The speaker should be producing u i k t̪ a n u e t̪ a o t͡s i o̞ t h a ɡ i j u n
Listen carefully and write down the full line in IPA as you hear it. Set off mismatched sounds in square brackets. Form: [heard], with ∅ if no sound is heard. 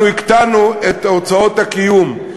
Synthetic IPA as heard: u i k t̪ a n u e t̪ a o t͡s [a] o̞ t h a [k] i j u [m]